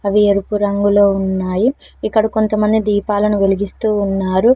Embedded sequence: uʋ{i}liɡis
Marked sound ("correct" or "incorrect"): incorrect